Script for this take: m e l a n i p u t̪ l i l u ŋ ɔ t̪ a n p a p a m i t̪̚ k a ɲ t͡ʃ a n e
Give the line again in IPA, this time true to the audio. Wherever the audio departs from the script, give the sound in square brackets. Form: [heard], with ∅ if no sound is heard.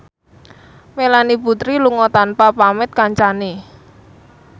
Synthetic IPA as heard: m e l a n i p u t̪ [ɾ] i l u ŋ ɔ t̪ a n p a p a m [ɪ] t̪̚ k a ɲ t͡ʃ a n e